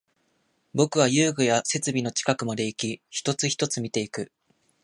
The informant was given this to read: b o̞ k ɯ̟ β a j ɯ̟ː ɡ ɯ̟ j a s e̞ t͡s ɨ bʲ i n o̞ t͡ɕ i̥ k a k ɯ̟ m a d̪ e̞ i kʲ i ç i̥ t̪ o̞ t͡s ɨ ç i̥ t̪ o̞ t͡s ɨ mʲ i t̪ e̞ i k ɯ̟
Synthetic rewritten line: b o̞ k ɯ̟ β a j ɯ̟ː ɡ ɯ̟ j a s e̞ t͡s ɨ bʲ i n o̞ t͡ɕ i̥ k a k ɯ̟ m a d̪ e̞ i kʲ i ç i̥ t̪ o̞ t͡s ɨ ç i̥ t̪ o̞ t͡s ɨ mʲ i t̪ e̞ i k ɯ̟